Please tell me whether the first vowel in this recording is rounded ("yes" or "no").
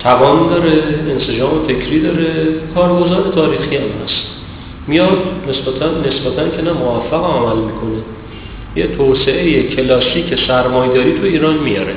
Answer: no